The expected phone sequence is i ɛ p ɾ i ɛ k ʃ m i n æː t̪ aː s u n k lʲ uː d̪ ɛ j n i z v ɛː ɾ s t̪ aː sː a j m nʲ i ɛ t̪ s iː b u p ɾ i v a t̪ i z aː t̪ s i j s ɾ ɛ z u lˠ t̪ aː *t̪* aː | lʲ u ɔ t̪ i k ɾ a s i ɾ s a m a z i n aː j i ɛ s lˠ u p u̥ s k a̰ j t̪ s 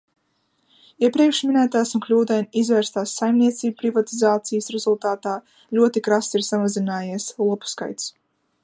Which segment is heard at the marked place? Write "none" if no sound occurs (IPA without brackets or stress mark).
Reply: t̪